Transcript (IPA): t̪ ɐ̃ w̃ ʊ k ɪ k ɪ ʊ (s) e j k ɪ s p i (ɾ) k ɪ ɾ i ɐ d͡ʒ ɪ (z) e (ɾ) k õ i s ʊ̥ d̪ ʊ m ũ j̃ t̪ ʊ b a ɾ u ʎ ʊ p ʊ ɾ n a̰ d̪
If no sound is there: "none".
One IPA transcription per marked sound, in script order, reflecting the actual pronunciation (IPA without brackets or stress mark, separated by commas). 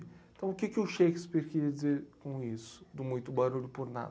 ʃ, ɾ, z, ɾ